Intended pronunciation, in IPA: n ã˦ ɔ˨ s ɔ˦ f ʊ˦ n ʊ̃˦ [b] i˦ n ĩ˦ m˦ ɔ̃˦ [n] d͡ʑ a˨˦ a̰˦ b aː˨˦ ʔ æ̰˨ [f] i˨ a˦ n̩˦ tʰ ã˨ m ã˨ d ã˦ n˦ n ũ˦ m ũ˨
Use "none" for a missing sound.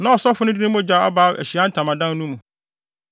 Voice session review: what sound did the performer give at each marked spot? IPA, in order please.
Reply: d, none, ɕ

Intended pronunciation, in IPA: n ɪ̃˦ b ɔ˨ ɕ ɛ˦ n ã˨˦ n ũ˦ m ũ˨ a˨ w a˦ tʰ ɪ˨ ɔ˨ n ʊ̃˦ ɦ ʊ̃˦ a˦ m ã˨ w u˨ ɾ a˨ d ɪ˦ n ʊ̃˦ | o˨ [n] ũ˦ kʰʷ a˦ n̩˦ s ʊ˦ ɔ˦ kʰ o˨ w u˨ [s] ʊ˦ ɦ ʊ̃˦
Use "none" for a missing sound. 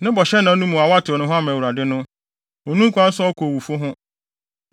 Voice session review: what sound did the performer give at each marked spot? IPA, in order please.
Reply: n, f

